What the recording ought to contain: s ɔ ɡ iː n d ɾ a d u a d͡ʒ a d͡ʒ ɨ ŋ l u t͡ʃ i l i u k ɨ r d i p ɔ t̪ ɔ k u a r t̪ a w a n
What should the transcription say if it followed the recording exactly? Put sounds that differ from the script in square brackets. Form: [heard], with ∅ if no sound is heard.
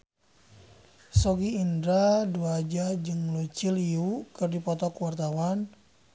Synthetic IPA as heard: s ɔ ɡ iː n d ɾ a d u a d͡ʒ a d͡ʒ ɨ ŋ l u t͡ʃ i l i u k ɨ r d i p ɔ t̪ ɔ k [w] a r t̪ a w a n